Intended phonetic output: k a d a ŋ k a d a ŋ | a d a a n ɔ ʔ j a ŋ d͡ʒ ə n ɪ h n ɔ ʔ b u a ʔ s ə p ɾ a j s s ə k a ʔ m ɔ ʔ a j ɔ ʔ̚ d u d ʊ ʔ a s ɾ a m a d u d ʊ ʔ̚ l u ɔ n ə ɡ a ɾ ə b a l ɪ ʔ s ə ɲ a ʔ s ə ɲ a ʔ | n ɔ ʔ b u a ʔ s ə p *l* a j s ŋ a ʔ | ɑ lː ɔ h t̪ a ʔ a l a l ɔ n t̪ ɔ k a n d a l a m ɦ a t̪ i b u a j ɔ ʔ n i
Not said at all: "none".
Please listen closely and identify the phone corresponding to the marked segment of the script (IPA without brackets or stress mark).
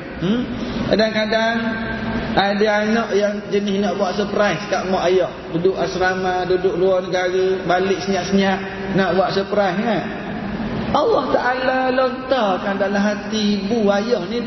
ɾ